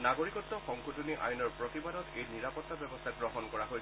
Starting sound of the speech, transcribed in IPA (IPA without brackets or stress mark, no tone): n